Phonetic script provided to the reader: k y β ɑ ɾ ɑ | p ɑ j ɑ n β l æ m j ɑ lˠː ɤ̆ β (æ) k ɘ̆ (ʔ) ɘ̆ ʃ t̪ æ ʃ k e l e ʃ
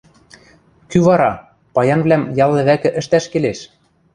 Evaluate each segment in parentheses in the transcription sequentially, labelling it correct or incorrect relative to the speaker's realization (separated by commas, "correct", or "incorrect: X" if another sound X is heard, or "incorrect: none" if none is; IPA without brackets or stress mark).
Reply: correct, correct